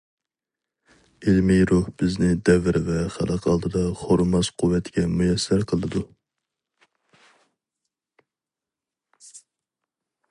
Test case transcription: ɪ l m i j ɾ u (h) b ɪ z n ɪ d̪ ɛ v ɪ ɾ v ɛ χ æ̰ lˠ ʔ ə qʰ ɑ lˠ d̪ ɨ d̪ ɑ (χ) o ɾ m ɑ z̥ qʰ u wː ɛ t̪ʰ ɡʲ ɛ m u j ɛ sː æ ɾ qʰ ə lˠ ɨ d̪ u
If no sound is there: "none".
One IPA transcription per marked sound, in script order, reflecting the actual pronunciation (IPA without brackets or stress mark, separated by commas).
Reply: h, χ